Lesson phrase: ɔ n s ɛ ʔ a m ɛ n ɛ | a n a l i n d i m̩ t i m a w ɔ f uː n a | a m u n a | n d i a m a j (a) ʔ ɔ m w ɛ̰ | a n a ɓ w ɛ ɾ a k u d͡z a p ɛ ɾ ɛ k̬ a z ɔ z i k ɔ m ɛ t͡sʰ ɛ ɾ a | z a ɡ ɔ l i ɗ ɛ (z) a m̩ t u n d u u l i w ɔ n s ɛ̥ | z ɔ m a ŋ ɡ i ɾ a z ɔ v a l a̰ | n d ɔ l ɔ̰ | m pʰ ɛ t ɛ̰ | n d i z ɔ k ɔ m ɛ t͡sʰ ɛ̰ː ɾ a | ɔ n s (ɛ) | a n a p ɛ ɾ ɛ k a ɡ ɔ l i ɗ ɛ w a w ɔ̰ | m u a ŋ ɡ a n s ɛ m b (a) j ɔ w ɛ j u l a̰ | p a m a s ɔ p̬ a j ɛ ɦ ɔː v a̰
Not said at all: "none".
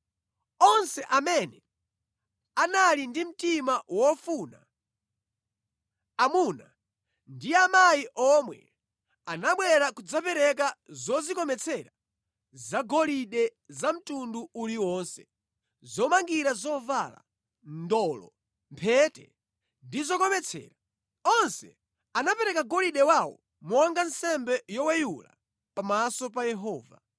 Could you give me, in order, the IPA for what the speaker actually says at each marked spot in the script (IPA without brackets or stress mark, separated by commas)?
i, z, ɛ, ɛ